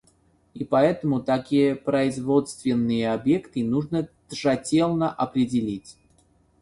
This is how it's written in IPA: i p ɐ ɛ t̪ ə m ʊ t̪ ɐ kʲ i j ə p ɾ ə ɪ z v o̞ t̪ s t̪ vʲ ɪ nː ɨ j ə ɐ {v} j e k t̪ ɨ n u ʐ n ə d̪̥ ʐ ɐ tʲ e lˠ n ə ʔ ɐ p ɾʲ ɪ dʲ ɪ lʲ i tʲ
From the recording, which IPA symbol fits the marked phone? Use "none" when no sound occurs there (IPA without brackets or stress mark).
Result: b